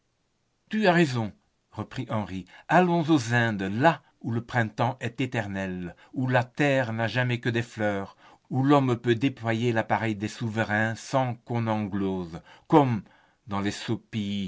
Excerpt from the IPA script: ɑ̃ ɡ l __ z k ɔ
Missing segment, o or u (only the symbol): o